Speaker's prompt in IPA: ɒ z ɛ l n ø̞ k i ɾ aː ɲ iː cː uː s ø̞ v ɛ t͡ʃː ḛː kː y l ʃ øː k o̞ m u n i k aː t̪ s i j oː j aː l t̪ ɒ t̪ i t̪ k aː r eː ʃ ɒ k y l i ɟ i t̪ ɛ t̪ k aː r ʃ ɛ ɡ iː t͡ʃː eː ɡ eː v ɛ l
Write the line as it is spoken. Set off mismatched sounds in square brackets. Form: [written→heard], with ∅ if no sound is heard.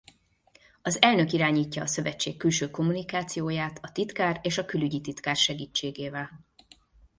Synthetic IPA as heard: ɒ z ɛ l n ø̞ k i ɾ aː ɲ iː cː [uː→ɒː] s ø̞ v ɛ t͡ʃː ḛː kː y l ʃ øː k o̞ m u n i k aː t̪ s i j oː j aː [l→∅] t̪ ɒ t̪ i t̪ k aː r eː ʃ ɒ k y l [i→y] ɟ i t̪ [ɛ→i] t̪ k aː r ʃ ɛ ɡ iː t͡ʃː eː ɡ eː v ɛ l